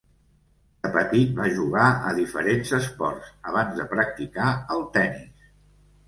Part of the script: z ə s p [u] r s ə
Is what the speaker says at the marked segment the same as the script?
no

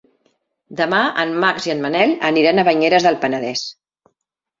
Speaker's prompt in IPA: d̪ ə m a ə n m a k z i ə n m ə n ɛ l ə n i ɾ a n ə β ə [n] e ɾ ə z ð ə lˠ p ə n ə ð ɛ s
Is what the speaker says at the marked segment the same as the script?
no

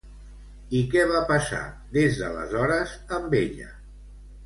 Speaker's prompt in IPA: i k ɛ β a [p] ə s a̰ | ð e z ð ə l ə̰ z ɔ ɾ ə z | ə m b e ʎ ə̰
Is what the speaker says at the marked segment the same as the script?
yes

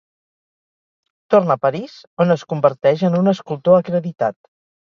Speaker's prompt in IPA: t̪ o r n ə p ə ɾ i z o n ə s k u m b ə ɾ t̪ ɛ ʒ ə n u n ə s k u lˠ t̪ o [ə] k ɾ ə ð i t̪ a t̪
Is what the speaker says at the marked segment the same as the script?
yes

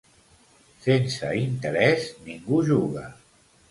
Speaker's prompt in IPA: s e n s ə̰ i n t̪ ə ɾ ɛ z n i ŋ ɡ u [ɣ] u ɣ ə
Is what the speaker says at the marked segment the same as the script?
no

